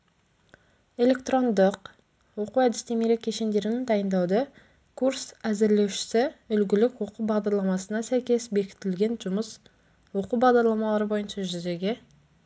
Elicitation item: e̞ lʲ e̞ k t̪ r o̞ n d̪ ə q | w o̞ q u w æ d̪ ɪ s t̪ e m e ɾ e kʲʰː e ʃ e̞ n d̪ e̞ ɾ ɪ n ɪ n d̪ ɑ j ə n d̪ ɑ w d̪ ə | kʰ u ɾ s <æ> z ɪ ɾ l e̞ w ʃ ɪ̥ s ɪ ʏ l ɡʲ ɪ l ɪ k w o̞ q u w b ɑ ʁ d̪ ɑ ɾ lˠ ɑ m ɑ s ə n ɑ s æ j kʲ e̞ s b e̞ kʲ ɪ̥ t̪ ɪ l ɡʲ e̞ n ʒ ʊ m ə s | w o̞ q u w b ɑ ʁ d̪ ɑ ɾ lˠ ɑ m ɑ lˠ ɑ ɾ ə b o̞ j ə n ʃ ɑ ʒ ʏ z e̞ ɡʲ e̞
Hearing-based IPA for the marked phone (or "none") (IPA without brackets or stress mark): æ